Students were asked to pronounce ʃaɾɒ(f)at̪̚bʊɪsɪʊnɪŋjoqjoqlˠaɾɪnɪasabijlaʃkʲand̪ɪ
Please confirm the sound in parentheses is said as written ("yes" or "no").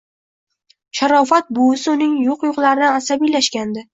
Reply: yes